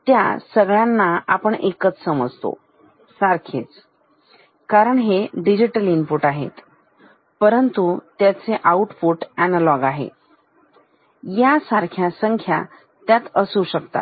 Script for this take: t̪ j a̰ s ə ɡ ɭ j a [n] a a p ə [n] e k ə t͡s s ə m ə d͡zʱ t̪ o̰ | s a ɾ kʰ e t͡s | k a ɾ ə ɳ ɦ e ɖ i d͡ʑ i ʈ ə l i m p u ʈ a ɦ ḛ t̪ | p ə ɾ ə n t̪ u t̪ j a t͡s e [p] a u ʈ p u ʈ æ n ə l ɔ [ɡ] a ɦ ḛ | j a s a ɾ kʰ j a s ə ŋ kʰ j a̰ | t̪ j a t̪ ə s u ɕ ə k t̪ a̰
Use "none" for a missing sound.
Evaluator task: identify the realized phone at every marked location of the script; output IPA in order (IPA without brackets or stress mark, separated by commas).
nː, ɳ, ʔ, ɡ